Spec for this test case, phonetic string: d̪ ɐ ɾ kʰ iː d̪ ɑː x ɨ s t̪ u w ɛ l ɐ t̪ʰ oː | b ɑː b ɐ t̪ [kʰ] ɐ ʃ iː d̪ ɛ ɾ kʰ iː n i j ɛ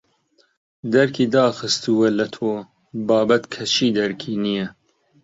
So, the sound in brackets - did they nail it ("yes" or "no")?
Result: yes